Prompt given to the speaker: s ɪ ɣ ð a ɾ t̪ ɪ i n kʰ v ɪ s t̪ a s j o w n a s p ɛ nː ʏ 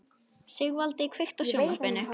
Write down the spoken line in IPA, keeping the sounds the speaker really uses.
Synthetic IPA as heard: s ɪ ɣ v a l t̪ ɪ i kʰ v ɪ x t̪ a s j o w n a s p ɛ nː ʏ